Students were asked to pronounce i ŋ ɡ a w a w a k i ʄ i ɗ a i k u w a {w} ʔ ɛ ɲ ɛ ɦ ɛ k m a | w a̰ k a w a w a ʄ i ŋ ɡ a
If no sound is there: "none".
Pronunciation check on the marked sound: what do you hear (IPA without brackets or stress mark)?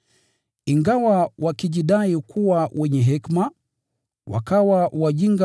w